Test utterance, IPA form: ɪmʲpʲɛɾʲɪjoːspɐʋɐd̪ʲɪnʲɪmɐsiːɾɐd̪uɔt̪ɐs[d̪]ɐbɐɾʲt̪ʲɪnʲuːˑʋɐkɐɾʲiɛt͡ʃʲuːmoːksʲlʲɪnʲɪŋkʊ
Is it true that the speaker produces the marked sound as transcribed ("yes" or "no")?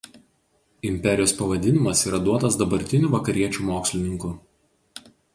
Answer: yes